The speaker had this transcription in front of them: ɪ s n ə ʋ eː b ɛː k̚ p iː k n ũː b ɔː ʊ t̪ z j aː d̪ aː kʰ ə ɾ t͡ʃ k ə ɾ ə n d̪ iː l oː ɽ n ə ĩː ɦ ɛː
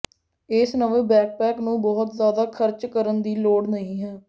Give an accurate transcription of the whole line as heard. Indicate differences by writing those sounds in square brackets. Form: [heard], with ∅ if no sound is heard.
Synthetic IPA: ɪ s n ə ʋ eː b ɛː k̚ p [ɛː] k n ũː b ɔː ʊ t̪ z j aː d̪ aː kʰ ə ɾ t͡ʃ k ə ɾ ə n d̪ iː l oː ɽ n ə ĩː ɦ ɛː